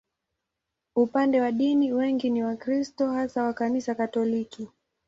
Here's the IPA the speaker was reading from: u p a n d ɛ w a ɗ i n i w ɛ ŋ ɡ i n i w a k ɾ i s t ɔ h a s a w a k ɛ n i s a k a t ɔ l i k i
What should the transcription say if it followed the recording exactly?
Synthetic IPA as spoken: u p a n d ɛ w a ɗ i n i w ɛ ŋ ɡ i n i w a k ɾ i s t ɔ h a s a w a k a n i s a k a t ɔ l i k i